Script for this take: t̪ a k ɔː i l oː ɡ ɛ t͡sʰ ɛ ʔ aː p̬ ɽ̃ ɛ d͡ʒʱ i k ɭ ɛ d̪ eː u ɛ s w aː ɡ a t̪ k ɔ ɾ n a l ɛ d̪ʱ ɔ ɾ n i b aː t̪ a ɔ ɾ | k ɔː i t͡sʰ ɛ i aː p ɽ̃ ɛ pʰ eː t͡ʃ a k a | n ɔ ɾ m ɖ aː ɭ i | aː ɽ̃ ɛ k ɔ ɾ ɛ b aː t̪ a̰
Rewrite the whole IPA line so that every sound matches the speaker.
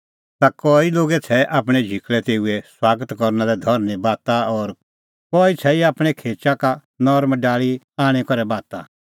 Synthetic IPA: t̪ a k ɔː i l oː ɡ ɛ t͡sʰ ɛ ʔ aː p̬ ɽ̃ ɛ d͡ʒʱ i k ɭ ɛ t̪ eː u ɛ s w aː ɡ ə t̪ k ɔ ɾ n a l ɛ d̪ʱ ɔ ɾ n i b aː t̪ a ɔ ɾ | k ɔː i t͡sʰ ɛ i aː p ɽ̃ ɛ kʰ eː t͡ʃ a k a | n ɔ ɾ m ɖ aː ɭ i | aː ɽ̃ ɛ k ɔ ɾ ɛ b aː t̪ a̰